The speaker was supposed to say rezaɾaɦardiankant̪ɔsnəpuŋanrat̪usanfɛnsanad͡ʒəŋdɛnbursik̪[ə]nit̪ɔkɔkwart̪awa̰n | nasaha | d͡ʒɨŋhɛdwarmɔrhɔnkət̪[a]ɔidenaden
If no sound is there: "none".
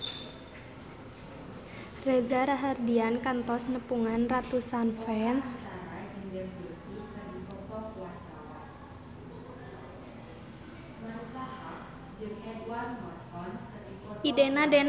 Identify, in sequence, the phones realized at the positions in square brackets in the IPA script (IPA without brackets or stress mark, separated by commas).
a, i